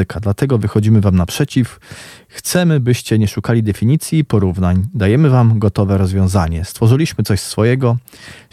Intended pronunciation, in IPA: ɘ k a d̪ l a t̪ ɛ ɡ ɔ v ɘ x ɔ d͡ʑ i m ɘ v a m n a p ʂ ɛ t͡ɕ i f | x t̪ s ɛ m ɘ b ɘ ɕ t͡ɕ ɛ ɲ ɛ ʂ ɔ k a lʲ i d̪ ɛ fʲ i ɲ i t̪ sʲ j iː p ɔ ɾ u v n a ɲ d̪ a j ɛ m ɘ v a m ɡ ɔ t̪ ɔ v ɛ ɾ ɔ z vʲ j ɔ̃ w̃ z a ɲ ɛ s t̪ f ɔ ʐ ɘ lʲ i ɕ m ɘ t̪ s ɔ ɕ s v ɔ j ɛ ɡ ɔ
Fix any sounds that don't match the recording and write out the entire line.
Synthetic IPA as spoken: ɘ k a d̪ l a t̪ ɛ ɡ ɔ v ɘ x ɔ d͡ʑ i m ɘ v a m n a p ʂ ɛ t͡ɕ i f | x t̪ s ɛ m ɘ b ɘ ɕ t͡ɕ ɛ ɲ ɛ ʂ u k a lʲ i d̪ ɛ fʲ i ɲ i t̪ sʲ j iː p ɔ ɾ u v n a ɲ d̪ a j ɛ m ɘ v a m ɡ ɔ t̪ ɔ v ɛ ɾ ɔ z vʲ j ɔ̃ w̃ z a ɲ ɛ s t̪ f ɔ ʐ ɘ lʲ i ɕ m ɘ t̪ s ɔ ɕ s f ɔ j ɛ ɡ ɔ